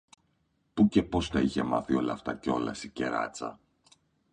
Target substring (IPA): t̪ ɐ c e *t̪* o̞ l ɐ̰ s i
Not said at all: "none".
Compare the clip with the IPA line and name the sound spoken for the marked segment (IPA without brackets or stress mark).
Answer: none